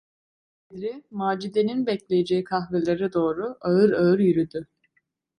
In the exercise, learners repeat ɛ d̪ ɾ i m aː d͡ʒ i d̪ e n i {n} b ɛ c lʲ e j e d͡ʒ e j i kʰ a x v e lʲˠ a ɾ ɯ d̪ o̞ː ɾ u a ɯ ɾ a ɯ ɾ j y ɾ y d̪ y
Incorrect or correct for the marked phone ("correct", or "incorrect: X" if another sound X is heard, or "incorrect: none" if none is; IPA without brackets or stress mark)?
correct